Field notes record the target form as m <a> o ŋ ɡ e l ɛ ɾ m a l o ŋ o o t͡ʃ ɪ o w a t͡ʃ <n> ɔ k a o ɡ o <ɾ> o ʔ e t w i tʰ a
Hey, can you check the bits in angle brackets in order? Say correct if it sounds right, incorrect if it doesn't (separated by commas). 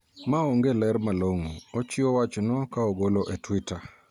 correct, correct, incorrect